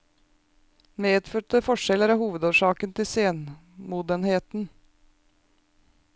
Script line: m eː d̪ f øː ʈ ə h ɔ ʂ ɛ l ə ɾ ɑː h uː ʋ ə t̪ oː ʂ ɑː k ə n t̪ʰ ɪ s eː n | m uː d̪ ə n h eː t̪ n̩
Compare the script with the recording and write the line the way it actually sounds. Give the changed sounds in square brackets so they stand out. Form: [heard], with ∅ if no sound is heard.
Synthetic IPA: m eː d̪ f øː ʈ ə [f] ɔ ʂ ɛ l ə ɾ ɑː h uː ʋ ə [d̪] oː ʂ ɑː k ə n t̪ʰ ɪ s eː n | m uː d̪ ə n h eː t̪ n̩

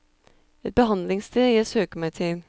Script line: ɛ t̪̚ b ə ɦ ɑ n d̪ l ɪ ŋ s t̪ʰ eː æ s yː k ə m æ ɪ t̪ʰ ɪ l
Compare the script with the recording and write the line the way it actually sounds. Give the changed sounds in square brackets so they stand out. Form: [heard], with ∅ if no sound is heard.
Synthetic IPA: ɛ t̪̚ b ə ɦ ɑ n d̪ l ɪ ŋ s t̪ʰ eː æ s [øː] k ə m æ ɪ t̪ʰ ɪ l

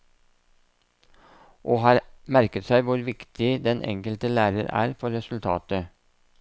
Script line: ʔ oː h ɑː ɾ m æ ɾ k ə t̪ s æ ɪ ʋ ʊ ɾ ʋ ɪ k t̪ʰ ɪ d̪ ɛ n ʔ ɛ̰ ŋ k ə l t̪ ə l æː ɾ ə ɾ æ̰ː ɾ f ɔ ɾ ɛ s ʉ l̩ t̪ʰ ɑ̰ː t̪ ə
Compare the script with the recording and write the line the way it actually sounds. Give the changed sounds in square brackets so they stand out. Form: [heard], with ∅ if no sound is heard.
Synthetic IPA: ʔ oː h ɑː ɾ m æ ɾ k ə t̪ s æ ɪ ʋ ʊ ɾ ʋ ɪ k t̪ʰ ɪ d̪ ɛ n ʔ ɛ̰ ŋ k ə l t̪ ə l æː ɾ ə ɾ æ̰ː ɾ f ɔ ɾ ɛ s ʉ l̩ t̪ʰ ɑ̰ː t̪ ə

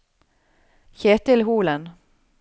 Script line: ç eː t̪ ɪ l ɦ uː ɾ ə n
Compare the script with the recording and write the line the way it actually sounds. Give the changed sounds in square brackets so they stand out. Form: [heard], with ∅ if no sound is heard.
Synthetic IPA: ç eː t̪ ɪ l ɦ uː [l] ə n

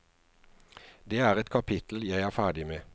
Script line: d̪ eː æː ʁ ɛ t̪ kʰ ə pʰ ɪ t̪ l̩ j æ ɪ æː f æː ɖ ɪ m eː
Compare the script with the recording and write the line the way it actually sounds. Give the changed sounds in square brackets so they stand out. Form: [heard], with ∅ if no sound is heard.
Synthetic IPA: d̪ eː æː ʁ ɛ t̪ kʰ [ɑ] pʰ ɪ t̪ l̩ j æ ɪ æː f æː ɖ ɪ m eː

